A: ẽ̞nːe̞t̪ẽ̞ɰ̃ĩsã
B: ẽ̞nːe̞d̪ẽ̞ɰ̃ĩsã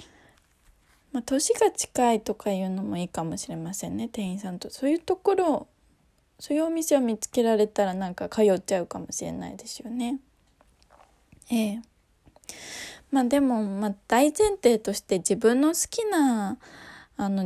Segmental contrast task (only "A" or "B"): A